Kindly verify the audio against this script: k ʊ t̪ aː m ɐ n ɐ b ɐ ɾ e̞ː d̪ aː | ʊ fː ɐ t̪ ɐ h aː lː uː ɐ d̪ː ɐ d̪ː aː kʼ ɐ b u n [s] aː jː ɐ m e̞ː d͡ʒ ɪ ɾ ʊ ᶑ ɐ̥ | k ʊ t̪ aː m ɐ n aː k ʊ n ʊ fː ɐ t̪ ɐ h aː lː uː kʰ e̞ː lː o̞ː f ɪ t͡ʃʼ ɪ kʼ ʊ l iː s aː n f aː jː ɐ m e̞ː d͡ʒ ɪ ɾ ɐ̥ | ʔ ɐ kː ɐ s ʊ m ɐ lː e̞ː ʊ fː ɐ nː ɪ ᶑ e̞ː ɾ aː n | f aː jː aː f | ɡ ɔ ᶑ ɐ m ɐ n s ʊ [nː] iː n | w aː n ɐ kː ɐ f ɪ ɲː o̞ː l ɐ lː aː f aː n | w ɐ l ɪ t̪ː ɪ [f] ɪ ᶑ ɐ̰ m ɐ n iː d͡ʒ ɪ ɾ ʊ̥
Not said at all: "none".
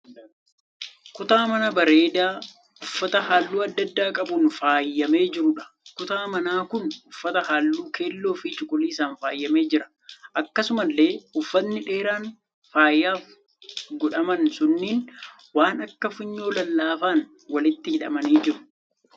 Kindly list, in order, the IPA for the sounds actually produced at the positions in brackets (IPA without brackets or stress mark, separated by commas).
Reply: f, nː, h